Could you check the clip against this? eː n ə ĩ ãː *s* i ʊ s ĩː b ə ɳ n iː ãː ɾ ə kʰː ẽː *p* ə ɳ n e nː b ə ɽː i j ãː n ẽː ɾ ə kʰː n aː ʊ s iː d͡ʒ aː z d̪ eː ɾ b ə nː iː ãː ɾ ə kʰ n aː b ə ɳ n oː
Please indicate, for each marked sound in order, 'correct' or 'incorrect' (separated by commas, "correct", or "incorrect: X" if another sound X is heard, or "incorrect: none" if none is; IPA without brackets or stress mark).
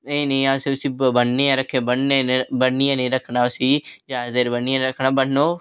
correct, incorrect: b